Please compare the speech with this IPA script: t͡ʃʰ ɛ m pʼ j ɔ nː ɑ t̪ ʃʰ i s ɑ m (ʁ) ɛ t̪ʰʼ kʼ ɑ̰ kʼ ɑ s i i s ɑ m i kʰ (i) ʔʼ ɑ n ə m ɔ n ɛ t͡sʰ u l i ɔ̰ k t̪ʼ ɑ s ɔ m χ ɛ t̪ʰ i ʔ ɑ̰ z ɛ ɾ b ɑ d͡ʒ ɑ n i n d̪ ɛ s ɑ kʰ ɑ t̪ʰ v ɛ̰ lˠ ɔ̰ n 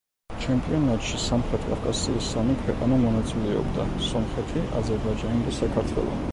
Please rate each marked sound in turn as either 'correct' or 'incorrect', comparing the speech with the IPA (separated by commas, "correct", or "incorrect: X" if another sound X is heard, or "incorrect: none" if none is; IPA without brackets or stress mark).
incorrect: χ, incorrect: ɛ